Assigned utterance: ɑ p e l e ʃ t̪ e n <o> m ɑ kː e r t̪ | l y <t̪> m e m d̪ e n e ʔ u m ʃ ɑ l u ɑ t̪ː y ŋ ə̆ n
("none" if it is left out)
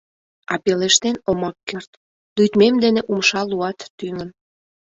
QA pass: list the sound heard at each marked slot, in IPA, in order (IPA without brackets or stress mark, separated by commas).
o, t̪